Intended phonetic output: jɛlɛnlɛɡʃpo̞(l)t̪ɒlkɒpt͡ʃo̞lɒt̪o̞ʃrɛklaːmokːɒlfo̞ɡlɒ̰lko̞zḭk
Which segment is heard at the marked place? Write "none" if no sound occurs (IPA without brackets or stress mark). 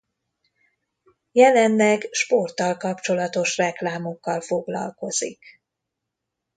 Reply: r